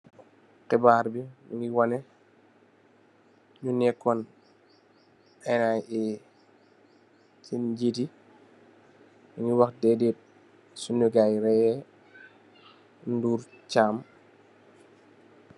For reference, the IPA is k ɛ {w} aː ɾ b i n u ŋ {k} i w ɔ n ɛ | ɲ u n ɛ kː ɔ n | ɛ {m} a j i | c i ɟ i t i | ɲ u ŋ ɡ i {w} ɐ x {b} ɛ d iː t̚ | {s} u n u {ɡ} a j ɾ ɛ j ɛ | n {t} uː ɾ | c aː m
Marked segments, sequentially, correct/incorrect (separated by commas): incorrect, incorrect, incorrect, correct, incorrect, correct, correct, incorrect